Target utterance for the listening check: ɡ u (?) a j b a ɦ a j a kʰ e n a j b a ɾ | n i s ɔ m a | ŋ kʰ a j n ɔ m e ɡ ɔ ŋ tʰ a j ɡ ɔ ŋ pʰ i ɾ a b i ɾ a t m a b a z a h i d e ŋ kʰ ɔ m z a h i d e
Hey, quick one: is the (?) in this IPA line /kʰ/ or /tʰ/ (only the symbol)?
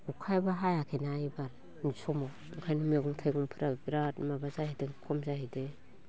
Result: kʰ